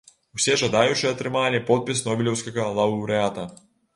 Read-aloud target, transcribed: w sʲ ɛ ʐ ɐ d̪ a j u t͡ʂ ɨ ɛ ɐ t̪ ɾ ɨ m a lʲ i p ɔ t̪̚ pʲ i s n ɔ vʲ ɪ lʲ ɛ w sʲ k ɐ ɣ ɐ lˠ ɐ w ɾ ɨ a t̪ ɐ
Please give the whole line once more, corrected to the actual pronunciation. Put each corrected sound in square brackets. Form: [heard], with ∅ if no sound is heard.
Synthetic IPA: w sʲ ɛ ʐ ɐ d̪ a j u t͡ʂ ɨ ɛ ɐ t̪ ɾ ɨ m a lʲ i p ɔ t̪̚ pʲ i s n ɔ [bʲ] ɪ lʲ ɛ w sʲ k ɐ ɣ ɐ lˠ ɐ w ɾ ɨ a t̪ ɐ